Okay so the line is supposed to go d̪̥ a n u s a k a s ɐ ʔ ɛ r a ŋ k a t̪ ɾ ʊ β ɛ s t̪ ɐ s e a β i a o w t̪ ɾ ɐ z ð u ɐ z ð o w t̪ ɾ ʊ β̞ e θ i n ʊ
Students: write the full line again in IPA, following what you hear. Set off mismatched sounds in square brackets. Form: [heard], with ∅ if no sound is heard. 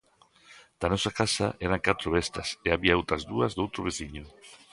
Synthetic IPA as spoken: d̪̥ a n [ɔ] s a k a s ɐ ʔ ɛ [ɾ] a ŋ k a t̪ ɾ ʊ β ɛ s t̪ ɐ s e a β i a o w t̪ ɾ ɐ z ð u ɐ z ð o w t̪ ɾ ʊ β̞ e θ i [ɲ] ʊ